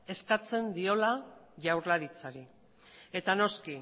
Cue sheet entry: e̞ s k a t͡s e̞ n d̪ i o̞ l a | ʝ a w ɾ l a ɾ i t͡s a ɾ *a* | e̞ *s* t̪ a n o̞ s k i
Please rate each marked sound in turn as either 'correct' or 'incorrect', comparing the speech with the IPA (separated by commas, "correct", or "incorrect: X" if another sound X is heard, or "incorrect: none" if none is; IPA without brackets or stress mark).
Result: incorrect: i, incorrect: none